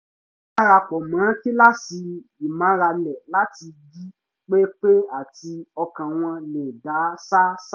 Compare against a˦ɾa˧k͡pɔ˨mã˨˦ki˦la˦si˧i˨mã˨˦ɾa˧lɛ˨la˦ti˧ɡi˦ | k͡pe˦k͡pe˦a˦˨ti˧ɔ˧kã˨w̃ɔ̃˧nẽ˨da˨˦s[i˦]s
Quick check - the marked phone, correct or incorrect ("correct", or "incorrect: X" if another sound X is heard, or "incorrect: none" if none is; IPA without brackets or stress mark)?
incorrect: a˦